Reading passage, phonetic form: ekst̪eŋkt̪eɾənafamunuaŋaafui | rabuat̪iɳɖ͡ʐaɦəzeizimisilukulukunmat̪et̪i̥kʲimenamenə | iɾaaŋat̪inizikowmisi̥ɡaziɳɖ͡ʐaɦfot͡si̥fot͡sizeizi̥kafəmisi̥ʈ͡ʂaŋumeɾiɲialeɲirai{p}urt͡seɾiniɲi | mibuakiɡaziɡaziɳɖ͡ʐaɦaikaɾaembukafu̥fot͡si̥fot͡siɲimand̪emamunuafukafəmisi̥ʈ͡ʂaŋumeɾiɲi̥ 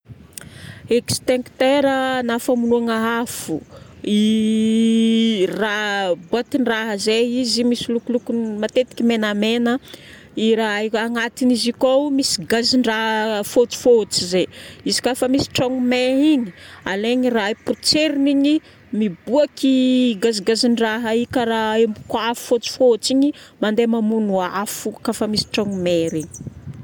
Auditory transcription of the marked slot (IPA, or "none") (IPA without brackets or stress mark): p